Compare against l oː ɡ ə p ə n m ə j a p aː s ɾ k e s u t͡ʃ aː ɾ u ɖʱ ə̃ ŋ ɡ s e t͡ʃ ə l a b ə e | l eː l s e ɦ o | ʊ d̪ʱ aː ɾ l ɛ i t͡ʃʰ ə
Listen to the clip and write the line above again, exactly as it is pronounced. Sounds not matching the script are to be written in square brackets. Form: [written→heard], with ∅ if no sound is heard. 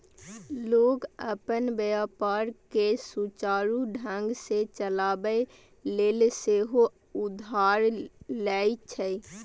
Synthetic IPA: l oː ɡ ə p ə n [m→b] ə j a p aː [s→∅] ɾ k e s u t͡ʃ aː ɾ u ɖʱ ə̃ ŋ ɡ s e t͡ʃ ə l a b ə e | l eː l s e ɦ o | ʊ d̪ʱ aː ɾ l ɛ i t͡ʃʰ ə